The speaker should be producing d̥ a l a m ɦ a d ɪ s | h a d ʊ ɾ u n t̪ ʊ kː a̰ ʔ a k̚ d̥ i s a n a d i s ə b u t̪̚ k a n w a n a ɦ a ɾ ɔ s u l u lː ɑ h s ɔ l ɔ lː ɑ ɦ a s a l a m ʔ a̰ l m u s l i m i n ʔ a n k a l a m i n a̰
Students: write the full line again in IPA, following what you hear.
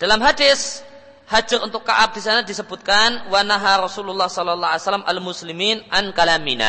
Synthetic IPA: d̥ a l a m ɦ a d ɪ s | h a d͡ʒ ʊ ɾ u n t̪ ʊ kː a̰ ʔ a p̚ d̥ i s a n a d i s ə b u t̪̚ k a n w a n a ɦ a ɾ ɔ s u l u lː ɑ h s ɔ l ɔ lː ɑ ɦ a s a l a m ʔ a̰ l m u s l i m i n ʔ a n k a l a m i n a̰